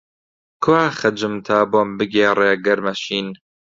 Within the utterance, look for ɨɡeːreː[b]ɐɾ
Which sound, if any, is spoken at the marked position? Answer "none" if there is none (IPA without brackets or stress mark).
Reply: ɡ